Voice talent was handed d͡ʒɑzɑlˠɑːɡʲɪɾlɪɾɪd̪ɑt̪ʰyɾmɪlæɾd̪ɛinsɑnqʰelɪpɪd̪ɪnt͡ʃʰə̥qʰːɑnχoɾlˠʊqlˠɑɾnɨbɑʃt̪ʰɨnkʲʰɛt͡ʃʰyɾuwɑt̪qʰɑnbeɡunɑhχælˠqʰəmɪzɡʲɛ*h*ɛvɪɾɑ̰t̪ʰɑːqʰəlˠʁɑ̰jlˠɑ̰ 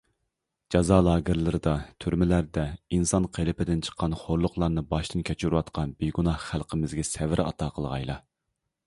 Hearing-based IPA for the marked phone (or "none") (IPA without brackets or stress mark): s